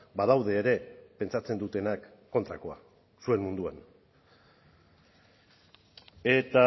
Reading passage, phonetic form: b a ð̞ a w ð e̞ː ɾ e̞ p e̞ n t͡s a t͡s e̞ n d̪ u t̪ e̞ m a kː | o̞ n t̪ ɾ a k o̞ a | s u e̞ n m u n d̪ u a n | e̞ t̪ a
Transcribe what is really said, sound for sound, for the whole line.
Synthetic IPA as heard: b a ð̞ a w ð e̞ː ɾ e̞ p e̞ n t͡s a t͡s e̞ n d̪ u t̪ e̞ n a kː | o̞ n t̪ ɾ a k o̞ a | s u e̞ n m u n d̪ u a n | e̞ t̪ a